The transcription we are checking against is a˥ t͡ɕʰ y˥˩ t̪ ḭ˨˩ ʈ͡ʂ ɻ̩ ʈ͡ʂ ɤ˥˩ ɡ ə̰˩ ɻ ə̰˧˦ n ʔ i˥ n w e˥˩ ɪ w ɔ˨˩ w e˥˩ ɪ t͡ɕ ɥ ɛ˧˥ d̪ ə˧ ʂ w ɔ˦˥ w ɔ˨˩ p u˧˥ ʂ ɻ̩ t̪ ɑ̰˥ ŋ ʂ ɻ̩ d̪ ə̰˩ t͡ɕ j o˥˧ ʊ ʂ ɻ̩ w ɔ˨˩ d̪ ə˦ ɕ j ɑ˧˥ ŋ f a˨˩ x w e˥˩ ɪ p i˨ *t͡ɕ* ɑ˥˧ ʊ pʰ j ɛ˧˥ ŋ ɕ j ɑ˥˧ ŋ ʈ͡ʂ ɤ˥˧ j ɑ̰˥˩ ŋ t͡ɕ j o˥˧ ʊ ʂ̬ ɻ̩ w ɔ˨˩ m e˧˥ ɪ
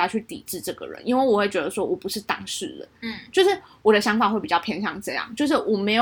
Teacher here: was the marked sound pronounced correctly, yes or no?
yes